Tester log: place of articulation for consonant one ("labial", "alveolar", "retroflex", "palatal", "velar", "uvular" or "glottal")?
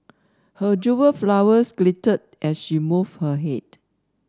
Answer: glottal